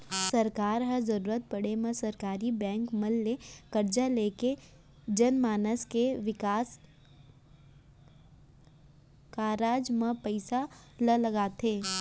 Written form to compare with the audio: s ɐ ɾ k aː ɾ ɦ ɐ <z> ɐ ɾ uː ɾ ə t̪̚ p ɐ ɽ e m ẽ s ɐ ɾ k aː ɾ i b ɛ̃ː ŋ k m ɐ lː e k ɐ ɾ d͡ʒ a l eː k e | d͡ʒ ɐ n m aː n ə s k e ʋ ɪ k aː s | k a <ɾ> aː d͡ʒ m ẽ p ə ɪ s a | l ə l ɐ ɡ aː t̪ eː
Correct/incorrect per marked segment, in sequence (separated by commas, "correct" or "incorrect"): correct, correct